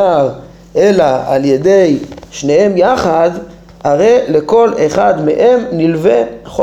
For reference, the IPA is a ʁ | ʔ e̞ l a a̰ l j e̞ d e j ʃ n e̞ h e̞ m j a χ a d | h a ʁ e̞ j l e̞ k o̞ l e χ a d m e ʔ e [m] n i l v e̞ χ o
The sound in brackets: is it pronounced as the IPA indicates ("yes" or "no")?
yes